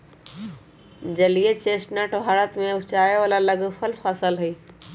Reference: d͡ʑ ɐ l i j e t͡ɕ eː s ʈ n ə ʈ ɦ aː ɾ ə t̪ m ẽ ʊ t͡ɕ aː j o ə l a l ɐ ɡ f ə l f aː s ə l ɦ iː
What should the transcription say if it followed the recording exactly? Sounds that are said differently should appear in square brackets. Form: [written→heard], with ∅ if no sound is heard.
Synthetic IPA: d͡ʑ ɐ l i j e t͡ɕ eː s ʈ n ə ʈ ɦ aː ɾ ə t̪ m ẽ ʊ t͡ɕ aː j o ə l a l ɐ ɡ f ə l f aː s ə l ɦ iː

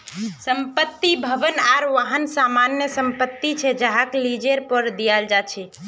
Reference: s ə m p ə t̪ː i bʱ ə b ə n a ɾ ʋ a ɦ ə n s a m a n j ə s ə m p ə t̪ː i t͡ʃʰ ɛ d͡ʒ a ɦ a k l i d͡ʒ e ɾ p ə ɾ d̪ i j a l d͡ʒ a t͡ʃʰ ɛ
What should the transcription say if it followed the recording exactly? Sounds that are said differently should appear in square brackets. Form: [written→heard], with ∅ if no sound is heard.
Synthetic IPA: s ə m p ə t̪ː i bʱ ə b ə n a ɾ ʋ a ɦ ə n s a m a n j ə s ə m p ə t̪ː i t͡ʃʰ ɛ d͡ʒ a ɦ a k l i d͡ʒ e ɾ p ə ɾ d̪ i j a l d͡ʒ a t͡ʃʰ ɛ

